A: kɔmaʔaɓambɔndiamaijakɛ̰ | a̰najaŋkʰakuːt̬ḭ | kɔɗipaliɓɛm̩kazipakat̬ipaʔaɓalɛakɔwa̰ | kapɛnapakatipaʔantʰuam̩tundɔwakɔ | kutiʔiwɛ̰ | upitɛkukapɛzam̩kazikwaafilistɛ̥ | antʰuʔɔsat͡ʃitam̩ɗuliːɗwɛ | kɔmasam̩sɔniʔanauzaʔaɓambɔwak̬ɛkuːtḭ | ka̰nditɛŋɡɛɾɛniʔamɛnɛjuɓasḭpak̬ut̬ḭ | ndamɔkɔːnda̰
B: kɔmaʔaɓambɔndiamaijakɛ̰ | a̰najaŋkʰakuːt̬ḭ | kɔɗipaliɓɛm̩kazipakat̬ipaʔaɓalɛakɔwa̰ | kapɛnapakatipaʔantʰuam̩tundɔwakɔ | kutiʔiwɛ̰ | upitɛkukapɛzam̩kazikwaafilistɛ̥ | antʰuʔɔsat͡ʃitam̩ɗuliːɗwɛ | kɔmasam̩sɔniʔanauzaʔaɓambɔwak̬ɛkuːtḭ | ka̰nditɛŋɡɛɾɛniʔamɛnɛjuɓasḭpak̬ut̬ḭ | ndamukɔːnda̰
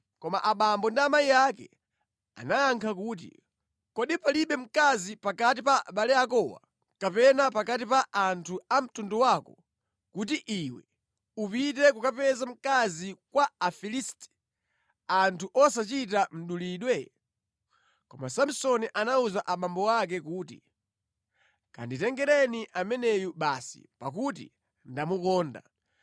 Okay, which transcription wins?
B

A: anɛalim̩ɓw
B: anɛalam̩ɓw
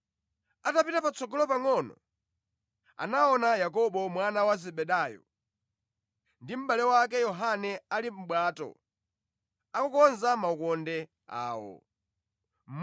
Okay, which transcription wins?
A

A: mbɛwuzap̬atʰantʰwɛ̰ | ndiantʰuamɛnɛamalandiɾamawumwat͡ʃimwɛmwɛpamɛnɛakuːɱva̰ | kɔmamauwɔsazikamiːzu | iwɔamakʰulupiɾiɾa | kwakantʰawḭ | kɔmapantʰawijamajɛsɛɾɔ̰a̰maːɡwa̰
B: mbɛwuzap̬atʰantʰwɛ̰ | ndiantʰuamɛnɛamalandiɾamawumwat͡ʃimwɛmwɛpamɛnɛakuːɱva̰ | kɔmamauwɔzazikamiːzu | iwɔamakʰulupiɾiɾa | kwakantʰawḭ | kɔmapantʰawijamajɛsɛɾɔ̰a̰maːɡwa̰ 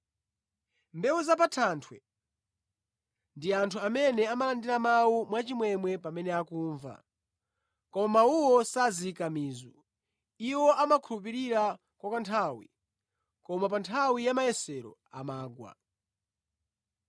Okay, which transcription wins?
A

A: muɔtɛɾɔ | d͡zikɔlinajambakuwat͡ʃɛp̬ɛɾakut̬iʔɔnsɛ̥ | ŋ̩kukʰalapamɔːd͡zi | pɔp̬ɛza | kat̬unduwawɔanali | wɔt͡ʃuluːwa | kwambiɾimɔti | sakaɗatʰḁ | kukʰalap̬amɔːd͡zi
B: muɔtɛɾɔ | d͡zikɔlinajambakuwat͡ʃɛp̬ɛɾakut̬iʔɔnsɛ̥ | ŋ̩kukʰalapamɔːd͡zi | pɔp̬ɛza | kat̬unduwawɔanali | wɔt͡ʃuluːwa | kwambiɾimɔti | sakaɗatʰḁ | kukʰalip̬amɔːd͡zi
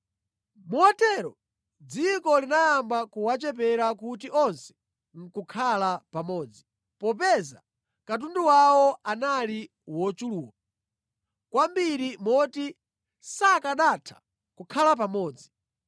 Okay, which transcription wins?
A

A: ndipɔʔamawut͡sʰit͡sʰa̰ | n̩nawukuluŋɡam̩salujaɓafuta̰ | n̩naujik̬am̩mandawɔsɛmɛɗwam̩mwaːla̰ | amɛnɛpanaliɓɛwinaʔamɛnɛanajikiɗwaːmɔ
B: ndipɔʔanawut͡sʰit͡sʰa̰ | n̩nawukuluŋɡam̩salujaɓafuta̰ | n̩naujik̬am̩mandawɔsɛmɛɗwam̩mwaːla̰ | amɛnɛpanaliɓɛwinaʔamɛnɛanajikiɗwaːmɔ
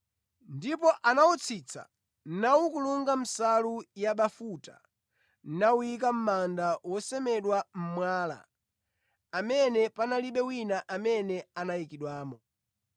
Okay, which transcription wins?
B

